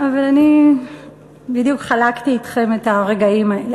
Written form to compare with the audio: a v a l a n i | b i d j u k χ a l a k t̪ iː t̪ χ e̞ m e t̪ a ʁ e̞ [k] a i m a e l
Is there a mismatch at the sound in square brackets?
yes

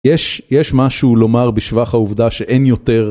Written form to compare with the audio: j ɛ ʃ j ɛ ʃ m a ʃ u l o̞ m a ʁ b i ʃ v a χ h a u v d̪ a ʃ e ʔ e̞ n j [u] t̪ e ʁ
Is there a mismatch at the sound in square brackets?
yes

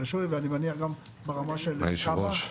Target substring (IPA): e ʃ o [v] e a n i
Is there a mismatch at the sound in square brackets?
no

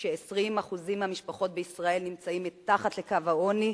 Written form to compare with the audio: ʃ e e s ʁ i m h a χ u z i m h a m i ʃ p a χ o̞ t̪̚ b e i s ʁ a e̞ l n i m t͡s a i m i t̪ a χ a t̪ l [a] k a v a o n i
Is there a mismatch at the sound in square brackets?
yes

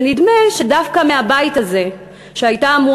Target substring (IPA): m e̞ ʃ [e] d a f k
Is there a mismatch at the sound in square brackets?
no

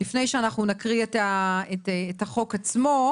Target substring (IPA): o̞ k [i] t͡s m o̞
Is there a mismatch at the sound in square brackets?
yes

